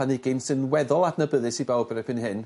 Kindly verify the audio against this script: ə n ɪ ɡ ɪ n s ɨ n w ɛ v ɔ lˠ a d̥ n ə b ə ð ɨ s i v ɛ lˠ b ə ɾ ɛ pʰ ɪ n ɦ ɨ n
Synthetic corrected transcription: a n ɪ ɡ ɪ n s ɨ n w ɛ ð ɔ lˠ a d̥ n ə b ə ð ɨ s i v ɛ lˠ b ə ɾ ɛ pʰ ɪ n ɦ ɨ n

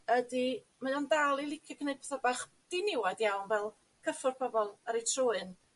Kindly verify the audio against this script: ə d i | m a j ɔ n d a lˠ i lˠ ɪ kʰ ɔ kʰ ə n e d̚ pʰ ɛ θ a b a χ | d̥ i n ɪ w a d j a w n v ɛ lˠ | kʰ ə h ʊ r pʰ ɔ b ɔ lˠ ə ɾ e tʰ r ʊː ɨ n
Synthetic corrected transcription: ə d i | m a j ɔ n d a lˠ i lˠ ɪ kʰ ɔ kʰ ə n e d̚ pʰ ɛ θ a b a χ | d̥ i n ɪ w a d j a w n v ɛ lˠ | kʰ ə f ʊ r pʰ ɔ b ɔ lˠ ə ɾ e tʰ r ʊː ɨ n

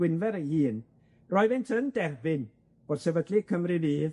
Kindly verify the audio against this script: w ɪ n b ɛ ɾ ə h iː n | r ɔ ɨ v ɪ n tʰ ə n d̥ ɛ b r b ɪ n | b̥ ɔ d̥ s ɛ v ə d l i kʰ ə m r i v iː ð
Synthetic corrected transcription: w ɪ n v ɛ ɾ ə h iː n | r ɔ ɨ v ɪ n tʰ ə n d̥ ɛ r b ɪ n | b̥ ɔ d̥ s ɛ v ə d l i kʰ ə m r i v iː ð

